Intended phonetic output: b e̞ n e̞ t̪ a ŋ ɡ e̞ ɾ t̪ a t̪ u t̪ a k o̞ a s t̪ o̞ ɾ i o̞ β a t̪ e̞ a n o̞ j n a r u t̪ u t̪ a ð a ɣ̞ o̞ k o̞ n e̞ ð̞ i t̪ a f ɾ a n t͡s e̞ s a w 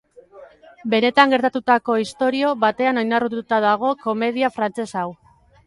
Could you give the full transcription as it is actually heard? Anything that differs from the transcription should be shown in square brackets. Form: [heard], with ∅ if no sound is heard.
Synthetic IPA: b e̞ n e̞ t̪ a ŋ ɡ e̞ ɾ t̪ a t̪ u t̪ a k o̞ [i] s t̪ o̞ ɾ i o̞ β a t̪ e̞ a n o̞ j n a r u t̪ u t̪ a ð a ɣ̞ o̞ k o̞ [m] e̞ ð̞ i [∅] a f ɾ a n t͡s e̞ s a w